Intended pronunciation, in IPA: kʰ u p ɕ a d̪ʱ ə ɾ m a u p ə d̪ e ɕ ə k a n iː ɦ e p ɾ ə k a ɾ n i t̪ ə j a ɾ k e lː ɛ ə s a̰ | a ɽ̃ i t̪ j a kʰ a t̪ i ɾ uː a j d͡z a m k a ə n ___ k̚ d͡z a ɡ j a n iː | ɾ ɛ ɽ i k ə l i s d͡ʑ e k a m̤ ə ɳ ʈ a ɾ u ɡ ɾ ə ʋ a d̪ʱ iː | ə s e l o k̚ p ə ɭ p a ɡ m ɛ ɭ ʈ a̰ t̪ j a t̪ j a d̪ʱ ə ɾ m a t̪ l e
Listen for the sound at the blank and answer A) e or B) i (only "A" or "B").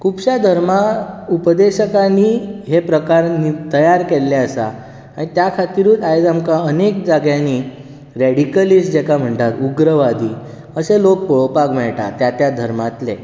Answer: A